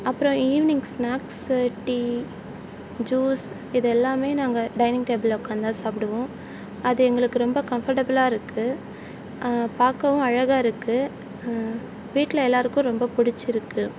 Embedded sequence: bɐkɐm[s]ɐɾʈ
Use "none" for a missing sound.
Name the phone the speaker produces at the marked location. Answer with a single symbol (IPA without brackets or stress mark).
f